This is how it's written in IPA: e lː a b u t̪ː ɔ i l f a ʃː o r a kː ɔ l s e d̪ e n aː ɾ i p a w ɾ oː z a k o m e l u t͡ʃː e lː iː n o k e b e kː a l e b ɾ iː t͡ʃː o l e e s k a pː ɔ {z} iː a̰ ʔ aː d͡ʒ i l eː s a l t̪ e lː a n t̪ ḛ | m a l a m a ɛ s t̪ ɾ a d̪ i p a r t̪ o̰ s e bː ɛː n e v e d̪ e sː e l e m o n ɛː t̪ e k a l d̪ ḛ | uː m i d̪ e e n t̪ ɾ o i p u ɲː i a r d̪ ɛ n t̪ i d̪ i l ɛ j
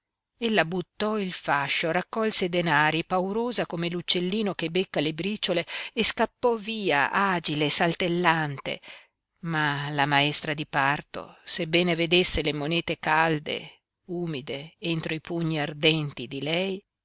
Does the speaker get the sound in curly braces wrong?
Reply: yes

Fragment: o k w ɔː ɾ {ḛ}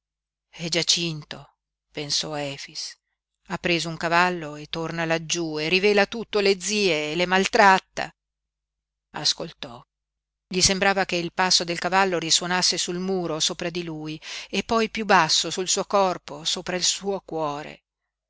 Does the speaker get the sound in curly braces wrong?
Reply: no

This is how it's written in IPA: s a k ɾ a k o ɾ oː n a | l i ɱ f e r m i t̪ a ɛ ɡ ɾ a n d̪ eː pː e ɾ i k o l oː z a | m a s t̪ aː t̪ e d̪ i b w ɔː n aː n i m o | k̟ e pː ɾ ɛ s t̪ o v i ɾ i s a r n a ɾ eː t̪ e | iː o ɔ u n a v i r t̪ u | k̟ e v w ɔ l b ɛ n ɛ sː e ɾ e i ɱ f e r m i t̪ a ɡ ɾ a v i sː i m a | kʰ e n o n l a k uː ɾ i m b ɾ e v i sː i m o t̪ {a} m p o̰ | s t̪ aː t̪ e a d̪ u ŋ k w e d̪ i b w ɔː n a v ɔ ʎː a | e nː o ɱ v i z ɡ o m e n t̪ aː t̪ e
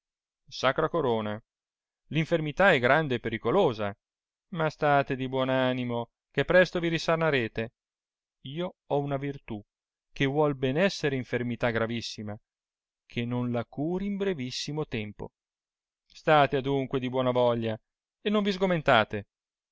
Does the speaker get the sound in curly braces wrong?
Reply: yes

